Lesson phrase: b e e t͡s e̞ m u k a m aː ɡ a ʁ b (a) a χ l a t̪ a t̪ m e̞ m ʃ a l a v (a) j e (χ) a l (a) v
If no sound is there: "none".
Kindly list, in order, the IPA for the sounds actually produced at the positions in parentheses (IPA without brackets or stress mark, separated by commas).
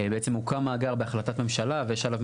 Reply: e, e, ʃ, a